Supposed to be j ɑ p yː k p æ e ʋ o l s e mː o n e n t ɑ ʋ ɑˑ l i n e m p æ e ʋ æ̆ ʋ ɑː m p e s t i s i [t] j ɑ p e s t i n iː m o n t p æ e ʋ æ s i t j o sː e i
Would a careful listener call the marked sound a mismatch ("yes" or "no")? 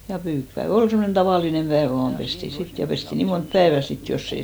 no